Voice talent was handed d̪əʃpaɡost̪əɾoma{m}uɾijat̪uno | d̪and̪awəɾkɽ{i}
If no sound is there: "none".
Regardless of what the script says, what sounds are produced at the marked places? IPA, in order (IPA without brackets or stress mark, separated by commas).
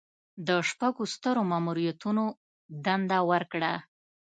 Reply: m, a